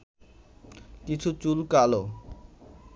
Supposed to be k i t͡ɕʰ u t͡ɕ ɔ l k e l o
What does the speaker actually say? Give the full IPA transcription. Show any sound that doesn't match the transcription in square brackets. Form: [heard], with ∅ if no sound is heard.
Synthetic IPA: k i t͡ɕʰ u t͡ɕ [u] l k [a] l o